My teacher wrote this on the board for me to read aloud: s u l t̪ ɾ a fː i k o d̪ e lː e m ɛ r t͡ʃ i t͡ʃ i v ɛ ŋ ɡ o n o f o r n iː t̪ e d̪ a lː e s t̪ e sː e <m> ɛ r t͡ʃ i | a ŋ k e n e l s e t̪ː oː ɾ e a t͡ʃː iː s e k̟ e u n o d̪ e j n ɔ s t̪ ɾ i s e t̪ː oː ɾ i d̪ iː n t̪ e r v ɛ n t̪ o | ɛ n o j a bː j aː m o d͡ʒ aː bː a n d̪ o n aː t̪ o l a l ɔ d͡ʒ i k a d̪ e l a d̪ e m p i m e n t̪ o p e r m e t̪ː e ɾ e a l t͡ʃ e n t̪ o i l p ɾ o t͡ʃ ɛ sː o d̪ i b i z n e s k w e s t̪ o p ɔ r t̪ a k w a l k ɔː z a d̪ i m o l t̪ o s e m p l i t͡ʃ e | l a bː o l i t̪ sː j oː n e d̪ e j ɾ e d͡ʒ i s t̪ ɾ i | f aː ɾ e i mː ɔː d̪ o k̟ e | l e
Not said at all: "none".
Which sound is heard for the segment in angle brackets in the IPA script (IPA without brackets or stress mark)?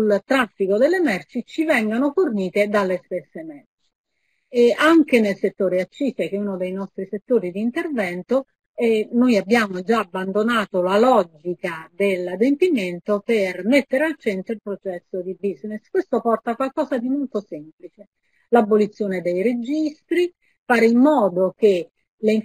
m